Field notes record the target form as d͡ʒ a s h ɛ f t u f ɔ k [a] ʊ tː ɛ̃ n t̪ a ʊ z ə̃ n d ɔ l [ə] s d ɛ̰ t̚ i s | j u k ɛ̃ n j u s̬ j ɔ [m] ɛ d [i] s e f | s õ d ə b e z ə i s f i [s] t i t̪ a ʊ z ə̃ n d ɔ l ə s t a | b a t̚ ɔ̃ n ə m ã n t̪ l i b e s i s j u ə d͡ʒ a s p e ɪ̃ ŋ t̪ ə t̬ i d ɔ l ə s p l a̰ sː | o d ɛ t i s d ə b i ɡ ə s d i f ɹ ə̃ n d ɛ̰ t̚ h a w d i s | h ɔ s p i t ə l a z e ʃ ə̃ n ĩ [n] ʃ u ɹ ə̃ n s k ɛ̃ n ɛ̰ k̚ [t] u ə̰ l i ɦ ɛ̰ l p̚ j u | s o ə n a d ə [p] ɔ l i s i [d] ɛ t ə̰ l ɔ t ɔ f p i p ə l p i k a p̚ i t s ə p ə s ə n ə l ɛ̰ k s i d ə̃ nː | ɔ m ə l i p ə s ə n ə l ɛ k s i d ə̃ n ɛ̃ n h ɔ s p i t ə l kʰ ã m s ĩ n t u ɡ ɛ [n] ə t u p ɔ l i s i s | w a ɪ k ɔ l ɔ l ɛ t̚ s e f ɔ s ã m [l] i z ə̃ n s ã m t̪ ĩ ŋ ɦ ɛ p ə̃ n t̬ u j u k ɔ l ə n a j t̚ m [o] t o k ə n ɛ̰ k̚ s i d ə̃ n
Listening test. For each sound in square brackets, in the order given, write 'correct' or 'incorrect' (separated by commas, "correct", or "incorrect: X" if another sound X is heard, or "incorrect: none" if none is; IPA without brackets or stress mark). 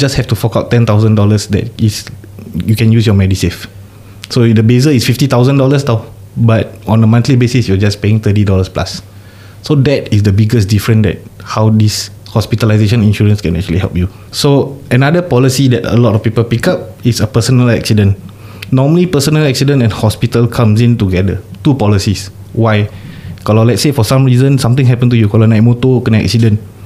correct, correct, correct, correct, incorrect: f, correct, incorrect: t͡ʃ, correct, correct, incorrect: d, incorrect: ɹ, correct